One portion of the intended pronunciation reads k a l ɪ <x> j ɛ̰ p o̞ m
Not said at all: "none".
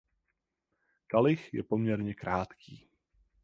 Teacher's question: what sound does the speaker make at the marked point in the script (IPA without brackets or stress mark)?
x